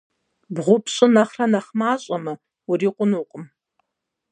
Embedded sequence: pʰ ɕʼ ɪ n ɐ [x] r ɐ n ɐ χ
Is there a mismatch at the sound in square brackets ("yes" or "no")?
yes